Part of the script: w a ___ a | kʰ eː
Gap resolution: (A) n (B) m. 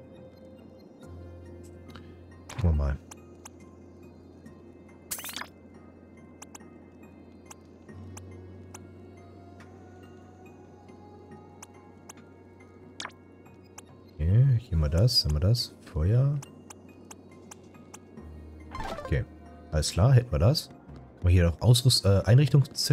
B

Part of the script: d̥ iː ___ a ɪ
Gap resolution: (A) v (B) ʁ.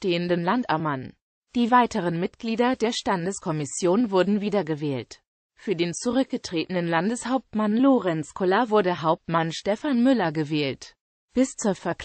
A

